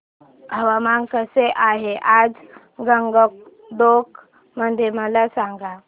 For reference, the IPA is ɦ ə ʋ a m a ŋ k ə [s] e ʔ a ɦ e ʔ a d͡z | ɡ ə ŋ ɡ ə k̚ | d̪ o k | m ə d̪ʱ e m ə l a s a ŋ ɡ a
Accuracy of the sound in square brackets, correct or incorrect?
correct